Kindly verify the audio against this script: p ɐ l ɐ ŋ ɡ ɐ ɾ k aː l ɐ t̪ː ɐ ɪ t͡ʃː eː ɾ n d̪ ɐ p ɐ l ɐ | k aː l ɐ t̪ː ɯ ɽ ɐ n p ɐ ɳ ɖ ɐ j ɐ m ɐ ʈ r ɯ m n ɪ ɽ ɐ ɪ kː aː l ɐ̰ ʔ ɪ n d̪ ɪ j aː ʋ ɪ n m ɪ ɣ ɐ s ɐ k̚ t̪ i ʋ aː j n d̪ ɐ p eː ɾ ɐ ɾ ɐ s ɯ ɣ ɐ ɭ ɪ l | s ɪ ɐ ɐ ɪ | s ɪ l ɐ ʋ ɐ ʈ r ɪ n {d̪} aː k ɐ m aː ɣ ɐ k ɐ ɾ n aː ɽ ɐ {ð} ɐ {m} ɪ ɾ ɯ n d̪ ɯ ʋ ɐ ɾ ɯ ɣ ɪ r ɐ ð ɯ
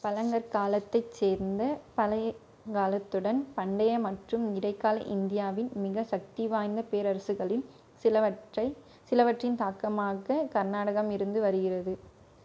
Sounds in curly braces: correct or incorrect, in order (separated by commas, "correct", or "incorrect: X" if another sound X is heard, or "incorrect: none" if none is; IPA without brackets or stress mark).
incorrect: t̪, incorrect: ɣ, correct